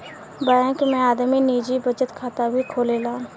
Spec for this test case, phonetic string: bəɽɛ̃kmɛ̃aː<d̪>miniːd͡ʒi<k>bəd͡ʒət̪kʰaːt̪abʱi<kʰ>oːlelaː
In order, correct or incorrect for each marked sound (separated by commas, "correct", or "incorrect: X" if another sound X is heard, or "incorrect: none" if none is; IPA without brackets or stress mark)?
correct, incorrect: none, correct